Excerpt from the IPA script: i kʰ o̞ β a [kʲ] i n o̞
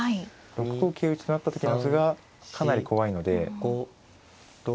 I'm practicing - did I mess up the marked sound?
yes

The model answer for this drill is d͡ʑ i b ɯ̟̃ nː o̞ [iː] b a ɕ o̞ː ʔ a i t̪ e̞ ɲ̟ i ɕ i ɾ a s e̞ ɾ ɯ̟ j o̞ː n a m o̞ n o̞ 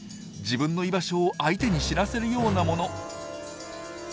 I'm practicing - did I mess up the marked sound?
yes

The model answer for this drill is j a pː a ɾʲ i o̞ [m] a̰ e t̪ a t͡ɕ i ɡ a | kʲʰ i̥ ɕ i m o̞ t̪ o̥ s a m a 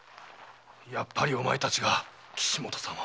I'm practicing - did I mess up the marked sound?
no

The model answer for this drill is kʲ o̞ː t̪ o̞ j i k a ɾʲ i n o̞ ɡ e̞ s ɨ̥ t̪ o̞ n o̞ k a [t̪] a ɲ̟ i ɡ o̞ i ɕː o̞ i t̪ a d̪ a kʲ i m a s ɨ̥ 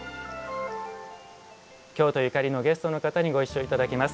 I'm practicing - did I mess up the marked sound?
no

